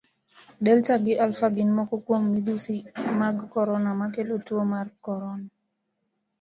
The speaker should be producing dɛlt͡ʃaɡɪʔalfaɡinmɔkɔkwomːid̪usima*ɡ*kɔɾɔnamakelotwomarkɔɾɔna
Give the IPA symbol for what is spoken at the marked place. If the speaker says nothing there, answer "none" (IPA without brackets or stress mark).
ɡ